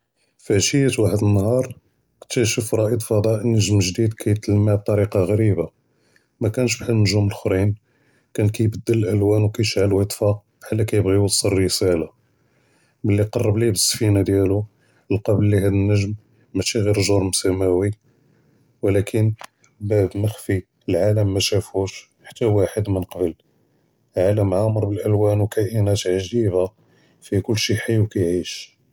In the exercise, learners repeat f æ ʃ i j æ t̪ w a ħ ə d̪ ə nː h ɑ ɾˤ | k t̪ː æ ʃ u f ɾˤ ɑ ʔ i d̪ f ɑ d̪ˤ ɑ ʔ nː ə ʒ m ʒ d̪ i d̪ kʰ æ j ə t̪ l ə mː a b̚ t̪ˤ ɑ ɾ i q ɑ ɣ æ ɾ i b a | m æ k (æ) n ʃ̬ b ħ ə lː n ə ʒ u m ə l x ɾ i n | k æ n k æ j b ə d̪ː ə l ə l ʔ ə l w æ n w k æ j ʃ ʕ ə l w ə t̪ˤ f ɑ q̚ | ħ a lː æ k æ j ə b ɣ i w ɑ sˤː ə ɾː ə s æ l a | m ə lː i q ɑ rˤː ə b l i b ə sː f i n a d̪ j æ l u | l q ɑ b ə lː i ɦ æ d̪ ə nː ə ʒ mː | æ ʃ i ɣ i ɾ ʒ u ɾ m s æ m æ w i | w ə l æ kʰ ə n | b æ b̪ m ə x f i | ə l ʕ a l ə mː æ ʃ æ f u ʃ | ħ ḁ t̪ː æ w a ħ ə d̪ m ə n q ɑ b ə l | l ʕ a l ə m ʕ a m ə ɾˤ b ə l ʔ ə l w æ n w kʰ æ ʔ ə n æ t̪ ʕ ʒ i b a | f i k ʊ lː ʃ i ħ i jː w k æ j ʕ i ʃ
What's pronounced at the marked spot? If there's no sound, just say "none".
æ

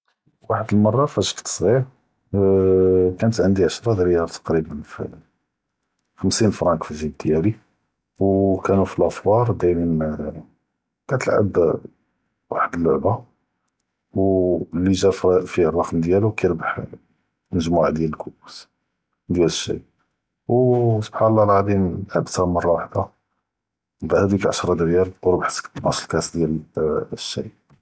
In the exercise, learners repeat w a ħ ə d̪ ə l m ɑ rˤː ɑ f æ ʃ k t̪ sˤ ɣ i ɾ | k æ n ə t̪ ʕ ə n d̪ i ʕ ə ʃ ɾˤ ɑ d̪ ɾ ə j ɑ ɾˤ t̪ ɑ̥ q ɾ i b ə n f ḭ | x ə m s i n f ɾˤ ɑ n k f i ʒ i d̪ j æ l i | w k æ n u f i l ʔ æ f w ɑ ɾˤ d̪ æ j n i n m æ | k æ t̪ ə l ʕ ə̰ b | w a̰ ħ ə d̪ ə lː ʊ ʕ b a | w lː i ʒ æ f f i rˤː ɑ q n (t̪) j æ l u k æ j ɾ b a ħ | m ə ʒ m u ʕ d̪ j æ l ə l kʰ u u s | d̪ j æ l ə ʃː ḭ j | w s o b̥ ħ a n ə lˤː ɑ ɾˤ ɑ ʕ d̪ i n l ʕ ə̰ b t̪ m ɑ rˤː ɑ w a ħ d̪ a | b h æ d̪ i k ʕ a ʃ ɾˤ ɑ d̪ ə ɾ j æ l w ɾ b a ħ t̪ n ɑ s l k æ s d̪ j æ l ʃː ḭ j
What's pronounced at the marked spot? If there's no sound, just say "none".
d̪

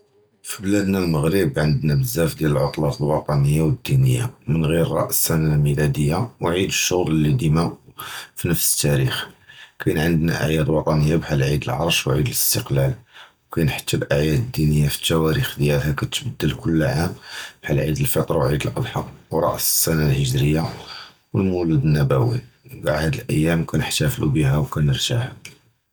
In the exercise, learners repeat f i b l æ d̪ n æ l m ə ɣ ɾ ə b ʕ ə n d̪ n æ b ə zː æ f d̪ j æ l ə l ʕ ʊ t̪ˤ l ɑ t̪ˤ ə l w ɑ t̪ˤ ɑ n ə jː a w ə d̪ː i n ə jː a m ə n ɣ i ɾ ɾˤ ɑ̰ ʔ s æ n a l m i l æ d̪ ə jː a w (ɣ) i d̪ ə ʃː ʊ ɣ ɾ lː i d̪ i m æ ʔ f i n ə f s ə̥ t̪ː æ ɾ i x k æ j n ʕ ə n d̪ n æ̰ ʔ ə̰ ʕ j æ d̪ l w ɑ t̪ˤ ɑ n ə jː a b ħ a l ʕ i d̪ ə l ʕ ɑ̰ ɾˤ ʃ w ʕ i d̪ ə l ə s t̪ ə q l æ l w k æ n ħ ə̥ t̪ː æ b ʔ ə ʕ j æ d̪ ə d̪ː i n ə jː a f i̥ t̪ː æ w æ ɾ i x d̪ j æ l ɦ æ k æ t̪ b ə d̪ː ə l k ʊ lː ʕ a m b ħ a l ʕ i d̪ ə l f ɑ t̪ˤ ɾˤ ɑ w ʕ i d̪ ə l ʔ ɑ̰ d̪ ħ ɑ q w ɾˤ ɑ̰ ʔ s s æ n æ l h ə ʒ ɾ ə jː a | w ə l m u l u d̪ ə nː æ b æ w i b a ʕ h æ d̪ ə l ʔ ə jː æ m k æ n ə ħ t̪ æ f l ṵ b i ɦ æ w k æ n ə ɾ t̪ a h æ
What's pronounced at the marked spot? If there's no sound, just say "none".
ʕ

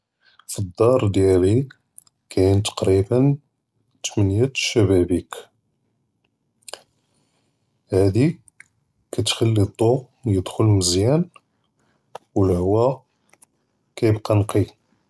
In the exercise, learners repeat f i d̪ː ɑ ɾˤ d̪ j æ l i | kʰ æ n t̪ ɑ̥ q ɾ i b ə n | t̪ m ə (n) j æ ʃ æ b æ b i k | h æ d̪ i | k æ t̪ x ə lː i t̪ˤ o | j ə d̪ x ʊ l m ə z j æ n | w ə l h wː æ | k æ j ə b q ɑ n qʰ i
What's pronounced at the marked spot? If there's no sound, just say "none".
n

